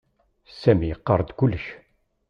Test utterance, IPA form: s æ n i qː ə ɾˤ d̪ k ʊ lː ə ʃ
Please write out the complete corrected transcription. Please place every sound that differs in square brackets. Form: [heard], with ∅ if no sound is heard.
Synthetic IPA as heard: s æ [m] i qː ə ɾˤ d̪ k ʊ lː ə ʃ